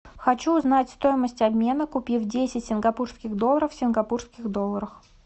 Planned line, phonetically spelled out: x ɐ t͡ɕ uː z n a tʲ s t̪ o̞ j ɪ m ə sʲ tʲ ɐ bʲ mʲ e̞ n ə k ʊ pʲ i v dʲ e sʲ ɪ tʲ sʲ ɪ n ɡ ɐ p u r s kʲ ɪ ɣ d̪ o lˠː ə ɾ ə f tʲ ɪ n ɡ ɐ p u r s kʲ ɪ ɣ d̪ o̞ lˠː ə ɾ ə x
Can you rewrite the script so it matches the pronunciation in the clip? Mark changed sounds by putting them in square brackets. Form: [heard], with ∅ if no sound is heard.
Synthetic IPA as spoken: x ɐ t͡ɕ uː z n a tʲ s t̪ o̞ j ɪ m ə sʲ tʲ ɐ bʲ mʲ e̞ n ə k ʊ pʲ i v dʲ e sʲ ɪ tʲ sʲ ɪ n ɡ ɐ p u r s kʲ ɪ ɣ d̪ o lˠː ə ɾ ə f [sʲ] ɪ n ɡ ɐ p u r s kʲ ɪ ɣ d̪ o̞ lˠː ə ɾ ə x

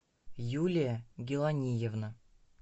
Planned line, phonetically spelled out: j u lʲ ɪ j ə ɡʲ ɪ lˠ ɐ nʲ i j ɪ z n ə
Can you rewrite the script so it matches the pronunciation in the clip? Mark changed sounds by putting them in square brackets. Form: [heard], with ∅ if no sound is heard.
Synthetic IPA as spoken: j u lʲ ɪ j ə ɡʲ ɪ lˠ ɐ nʲ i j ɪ [v] n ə

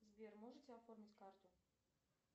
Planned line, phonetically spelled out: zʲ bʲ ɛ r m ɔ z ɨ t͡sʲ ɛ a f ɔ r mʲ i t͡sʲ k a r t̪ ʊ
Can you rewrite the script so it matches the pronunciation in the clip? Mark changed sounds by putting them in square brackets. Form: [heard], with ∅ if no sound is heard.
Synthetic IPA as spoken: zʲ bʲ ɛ r m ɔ [ʐ] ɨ t͡sʲ ɛ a f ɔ r mʲ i t͡sʲ k a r t̪ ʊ

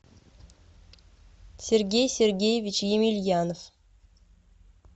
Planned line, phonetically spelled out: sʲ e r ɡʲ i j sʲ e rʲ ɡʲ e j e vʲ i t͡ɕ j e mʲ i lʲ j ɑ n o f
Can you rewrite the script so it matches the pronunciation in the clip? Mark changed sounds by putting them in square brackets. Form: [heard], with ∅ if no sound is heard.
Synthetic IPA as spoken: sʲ e r ɡʲ [e] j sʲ e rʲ ɡʲ e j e vʲ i t͡ɕ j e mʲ i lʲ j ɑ n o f

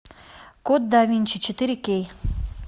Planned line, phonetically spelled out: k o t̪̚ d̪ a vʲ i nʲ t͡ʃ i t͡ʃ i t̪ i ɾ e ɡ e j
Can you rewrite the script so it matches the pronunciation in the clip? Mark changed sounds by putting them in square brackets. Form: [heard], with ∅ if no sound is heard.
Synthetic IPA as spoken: k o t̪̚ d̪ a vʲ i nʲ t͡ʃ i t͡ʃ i t̪ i ɾ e [k] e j

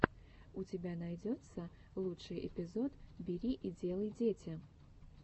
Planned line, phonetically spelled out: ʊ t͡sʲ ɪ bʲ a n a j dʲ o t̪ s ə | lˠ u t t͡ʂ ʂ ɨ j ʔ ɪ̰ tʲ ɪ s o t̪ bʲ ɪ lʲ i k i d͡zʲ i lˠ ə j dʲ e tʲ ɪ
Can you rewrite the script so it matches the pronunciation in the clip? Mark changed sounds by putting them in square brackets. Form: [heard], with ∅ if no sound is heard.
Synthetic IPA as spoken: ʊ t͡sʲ ɪ bʲ a n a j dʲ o t̪ s ə | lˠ u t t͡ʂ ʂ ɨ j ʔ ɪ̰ [pʲ] ɪ [z] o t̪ bʲ ɪ [ɾʲ] i [ʔ] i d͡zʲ [e] lˠ ə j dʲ e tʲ ɪ

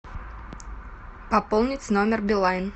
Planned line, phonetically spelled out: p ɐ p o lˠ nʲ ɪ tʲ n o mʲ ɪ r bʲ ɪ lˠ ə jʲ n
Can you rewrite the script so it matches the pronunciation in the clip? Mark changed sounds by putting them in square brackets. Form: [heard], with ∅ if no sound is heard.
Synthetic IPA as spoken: p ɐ p o lˠ nʲ ɪ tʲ n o mʲ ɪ r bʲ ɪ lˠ [a] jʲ n

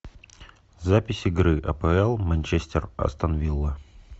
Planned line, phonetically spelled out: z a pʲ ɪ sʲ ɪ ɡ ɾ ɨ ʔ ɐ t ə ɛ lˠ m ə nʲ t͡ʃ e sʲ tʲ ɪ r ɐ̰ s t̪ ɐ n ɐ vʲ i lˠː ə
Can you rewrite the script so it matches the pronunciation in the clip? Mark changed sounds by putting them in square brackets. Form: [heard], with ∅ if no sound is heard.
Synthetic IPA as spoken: z a pʲ ɪ sʲ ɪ ɡ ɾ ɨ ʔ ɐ [p] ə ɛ lˠ m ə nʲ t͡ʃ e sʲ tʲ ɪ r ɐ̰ s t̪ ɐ n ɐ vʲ i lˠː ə

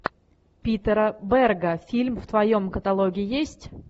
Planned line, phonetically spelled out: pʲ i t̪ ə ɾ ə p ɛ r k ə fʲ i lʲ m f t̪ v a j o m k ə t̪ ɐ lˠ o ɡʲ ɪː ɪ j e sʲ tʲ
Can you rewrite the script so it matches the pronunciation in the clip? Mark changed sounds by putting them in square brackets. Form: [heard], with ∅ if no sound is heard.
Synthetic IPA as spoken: pʲ i t̪ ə ɾ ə [b] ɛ r [ɡ] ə fʲ i lʲ m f t̪ v [ɐ] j o m k ə t̪ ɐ lˠ o ɡʲ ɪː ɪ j e sʲ tʲ

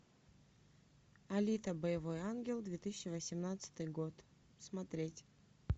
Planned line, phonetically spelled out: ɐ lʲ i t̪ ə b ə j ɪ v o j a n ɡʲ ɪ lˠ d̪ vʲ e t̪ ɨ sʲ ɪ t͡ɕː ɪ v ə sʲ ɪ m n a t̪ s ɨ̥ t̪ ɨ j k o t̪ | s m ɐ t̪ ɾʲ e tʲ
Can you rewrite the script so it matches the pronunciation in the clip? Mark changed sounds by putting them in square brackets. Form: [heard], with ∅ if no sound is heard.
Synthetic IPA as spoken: ɐ lʲ i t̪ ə b ə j ɪ v o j a n ɡʲ ɪ lˠ d̪ vʲ e t̪ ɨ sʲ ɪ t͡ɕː ɪ v ə sʲ ɪ m n a t̪ s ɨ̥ t̪ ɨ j [ɡ] o t̪ | s m ɐ t̪ ɾʲ e tʲ

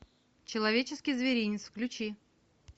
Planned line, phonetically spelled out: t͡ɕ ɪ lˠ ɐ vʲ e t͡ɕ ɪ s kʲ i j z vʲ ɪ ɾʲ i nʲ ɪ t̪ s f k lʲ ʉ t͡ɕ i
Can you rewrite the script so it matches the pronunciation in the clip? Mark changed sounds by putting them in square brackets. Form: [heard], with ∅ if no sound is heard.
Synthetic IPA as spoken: t͡ɕ ɪ lˠ ɐ vʲ e t͡ɕ ɪ s kʲ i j z vʲ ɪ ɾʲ i nʲ ɪ t̪ s f k lʲ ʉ t͡ɕ i

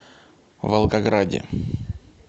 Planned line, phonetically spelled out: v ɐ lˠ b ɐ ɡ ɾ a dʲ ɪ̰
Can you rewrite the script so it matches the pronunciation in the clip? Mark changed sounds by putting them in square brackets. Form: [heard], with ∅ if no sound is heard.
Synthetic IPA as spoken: v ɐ lˠ [ɡ] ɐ ɡ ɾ a dʲ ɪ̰

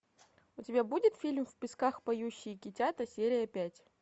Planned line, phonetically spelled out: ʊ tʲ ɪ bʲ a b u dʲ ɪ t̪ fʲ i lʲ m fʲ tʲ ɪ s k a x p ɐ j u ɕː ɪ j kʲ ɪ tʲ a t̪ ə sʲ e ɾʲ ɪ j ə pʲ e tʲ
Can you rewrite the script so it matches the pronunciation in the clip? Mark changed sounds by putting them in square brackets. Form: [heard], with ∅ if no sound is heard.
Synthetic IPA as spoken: ʊ tʲ ɪ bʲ a b u dʲ ɪ t̪ fʲ i lʲ m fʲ [pʲ] ɪ s k a x p ɐ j u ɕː ɪ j kʲ ɪ tʲ a t̪ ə sʲ e ɾʲ ɪ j ə pʲ [æ] tʲ

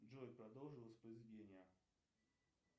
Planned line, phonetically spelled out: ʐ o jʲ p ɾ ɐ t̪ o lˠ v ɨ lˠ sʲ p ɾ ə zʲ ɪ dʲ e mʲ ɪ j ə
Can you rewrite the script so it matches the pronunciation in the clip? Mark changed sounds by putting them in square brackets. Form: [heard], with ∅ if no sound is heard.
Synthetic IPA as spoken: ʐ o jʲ p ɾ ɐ [d̪] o lˠ [ʐ] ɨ lˠ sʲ p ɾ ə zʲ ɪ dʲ e [nʲ] ɪ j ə

